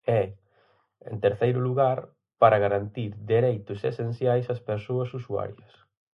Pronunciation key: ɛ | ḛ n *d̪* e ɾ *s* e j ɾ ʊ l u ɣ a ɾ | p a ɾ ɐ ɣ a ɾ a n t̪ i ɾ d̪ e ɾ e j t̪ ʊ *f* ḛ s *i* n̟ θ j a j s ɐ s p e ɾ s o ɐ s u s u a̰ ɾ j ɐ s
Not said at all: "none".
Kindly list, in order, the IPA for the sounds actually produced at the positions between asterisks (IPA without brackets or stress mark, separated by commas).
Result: t̪, θ, s, e